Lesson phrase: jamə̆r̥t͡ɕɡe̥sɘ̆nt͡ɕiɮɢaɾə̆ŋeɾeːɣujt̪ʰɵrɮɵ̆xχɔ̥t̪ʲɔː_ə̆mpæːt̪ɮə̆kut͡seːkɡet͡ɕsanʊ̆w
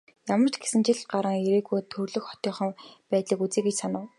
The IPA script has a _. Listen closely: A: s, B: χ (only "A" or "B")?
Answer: B